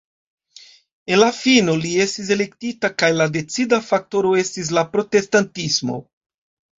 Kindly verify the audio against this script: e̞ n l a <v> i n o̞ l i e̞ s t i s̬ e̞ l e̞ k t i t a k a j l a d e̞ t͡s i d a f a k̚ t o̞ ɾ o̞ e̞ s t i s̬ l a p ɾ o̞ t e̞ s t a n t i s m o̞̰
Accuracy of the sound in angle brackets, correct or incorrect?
incorrect: f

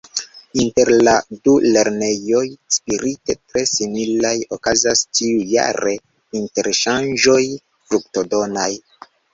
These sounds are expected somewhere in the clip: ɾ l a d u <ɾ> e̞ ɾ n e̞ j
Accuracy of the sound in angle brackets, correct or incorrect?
incorrect: l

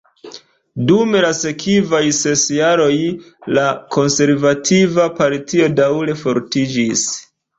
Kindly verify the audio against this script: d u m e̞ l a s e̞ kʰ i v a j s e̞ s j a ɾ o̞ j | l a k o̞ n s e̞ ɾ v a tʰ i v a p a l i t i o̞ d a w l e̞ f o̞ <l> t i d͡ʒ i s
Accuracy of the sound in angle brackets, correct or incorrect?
incorrect: ɾ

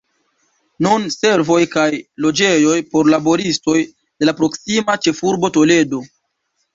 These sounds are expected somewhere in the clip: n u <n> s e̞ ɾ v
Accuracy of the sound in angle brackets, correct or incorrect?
correct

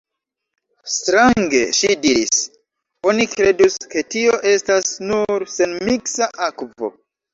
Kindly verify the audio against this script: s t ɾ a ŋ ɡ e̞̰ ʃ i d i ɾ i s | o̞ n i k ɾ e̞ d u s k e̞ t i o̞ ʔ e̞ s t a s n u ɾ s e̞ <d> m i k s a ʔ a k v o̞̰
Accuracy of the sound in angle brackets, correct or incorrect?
incorrect: n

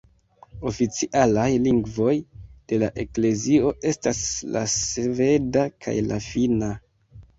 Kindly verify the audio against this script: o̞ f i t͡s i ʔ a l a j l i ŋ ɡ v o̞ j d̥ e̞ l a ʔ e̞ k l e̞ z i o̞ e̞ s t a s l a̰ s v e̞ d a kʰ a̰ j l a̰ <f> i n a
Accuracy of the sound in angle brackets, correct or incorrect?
correct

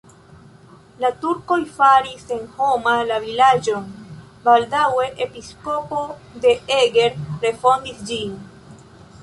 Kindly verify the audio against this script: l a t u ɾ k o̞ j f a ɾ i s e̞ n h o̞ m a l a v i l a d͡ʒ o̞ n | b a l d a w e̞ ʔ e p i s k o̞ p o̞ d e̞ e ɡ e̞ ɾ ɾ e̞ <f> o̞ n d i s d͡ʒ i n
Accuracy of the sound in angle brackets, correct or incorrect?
correct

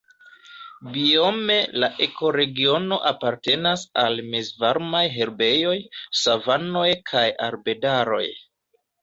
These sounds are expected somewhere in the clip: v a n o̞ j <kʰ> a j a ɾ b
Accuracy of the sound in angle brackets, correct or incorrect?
correct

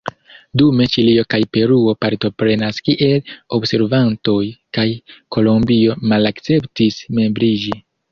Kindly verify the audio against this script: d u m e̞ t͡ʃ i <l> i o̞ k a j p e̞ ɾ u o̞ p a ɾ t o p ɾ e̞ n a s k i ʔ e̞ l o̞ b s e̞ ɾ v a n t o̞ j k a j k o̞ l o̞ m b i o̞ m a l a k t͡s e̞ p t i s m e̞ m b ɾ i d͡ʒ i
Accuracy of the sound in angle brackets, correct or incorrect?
correct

